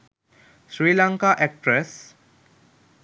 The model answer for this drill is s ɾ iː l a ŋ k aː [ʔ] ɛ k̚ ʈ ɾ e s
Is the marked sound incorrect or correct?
correct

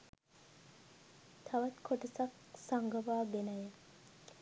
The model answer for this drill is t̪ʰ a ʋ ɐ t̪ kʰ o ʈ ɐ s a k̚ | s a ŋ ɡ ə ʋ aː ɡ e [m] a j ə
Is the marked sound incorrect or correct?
incorrect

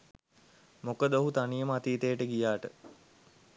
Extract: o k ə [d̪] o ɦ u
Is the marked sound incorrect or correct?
correct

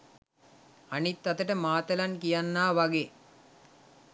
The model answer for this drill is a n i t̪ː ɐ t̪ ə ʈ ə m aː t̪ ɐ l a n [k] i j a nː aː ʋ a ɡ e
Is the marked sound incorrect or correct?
correct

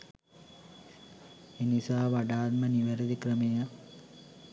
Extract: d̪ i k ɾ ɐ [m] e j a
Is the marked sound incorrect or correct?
correct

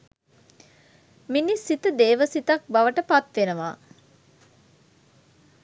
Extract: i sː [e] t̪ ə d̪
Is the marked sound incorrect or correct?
incorrect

